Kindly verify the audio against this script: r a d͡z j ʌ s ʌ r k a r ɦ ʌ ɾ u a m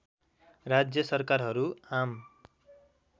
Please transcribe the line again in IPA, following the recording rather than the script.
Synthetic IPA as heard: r a d͡z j ʌ s ʌ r k a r ɦ ʌ ɾ u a m

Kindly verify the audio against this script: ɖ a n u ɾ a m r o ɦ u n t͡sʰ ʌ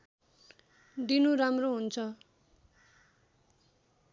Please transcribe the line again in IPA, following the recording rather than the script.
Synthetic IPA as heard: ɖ i n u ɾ a m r o ɦ u n t͡sʰ ʌ

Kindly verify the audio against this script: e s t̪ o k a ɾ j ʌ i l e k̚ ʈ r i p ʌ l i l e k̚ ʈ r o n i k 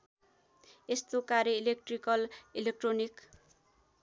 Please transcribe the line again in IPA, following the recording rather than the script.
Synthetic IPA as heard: e s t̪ o k a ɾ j ʌ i l e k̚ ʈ r i k ʌ l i l e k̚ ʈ r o n i k

